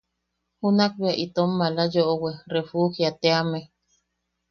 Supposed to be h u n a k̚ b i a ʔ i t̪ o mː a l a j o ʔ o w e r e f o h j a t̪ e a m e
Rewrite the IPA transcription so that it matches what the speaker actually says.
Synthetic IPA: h u n a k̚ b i a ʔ i t̪ o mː a l a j o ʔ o w e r e f u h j a t̪ e a m e